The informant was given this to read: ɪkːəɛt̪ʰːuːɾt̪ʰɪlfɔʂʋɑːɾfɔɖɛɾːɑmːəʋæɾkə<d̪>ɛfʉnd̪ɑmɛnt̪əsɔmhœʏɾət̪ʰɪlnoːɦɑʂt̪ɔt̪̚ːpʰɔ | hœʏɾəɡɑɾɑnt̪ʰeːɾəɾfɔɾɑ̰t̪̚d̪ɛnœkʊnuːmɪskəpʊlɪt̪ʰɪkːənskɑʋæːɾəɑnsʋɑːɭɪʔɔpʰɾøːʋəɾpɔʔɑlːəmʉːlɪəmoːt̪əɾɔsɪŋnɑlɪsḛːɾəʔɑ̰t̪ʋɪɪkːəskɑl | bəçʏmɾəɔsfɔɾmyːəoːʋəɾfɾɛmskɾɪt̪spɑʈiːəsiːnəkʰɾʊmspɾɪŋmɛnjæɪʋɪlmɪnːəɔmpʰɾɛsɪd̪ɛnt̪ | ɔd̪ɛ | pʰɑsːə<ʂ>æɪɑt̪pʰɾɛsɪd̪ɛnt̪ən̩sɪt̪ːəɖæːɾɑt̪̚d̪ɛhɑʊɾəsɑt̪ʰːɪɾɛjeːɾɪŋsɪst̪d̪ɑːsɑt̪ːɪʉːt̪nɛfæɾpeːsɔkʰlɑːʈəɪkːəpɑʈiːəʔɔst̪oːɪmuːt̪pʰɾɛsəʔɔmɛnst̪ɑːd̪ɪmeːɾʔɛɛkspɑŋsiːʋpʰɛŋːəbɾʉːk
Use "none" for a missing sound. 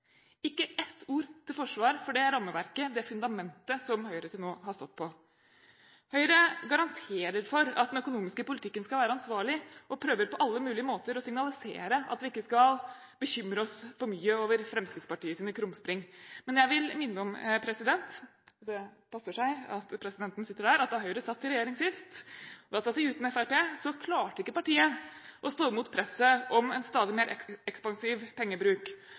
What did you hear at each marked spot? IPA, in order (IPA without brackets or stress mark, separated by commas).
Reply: d̪, ʂ